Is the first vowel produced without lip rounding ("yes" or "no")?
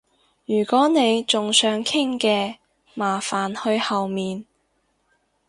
no